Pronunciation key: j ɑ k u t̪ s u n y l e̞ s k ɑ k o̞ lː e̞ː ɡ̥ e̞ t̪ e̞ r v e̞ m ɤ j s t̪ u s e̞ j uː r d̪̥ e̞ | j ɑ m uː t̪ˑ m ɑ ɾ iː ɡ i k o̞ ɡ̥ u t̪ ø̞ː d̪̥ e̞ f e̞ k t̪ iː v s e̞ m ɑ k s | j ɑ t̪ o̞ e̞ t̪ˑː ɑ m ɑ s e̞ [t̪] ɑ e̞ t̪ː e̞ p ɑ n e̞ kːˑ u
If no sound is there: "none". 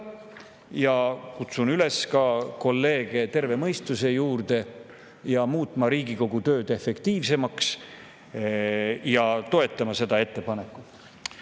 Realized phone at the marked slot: d̪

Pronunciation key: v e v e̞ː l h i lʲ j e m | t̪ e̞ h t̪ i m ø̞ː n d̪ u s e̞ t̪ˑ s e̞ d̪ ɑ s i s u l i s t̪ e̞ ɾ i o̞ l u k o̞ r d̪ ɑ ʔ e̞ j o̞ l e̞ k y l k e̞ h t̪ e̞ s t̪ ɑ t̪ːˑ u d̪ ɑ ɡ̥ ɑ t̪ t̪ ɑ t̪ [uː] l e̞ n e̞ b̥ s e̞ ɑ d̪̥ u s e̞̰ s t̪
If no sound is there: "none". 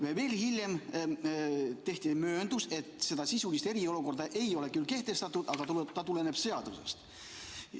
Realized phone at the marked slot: u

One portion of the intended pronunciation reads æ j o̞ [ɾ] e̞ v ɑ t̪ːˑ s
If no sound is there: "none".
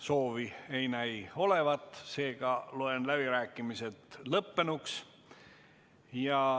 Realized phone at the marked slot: l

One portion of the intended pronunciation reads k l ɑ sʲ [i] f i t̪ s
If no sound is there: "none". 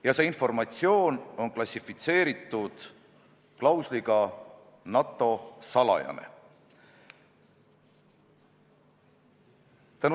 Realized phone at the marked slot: i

